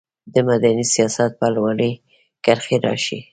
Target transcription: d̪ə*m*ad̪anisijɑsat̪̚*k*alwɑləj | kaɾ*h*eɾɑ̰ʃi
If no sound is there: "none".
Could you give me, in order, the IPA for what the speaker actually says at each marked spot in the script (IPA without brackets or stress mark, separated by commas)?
m, p, x